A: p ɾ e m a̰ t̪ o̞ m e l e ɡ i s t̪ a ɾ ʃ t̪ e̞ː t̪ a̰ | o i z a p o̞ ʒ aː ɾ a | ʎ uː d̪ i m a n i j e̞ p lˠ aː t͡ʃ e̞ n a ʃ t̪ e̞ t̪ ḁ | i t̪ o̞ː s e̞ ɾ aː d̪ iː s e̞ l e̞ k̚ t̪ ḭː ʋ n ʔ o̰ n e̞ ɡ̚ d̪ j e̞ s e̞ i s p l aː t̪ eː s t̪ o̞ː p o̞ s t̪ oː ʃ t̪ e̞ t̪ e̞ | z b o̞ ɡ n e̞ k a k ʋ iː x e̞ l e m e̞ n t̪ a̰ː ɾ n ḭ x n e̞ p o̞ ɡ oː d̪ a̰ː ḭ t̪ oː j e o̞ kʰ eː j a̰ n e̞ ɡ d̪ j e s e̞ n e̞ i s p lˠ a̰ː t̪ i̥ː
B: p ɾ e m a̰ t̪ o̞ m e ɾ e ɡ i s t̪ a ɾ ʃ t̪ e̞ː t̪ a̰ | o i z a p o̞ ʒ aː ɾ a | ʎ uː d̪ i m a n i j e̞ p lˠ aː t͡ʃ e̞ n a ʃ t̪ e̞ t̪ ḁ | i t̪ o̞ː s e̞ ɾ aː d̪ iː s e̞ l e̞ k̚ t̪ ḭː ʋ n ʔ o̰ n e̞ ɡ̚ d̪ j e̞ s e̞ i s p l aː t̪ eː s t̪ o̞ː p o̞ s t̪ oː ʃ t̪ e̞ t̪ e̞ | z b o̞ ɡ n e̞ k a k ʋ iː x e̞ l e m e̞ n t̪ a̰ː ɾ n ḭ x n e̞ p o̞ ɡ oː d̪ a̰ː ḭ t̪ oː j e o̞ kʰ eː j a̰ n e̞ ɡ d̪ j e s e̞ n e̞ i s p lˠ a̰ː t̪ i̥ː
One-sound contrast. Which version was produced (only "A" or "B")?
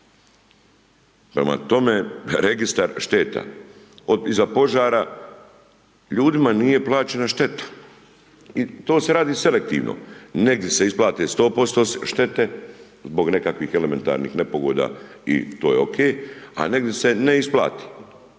B